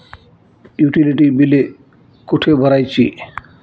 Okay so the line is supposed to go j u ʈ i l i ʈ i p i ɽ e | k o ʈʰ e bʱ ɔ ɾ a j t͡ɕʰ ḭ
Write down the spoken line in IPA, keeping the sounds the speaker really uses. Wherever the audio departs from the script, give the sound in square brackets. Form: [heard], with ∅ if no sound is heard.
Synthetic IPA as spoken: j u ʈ i l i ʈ i [b] i [l] e | k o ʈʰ e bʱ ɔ ɾ a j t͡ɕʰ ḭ